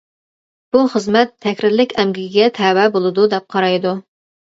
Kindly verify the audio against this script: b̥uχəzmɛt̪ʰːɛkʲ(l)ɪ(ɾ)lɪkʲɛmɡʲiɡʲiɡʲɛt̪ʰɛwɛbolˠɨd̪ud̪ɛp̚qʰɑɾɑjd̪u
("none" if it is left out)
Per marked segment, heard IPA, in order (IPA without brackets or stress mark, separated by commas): ɾ, ɾ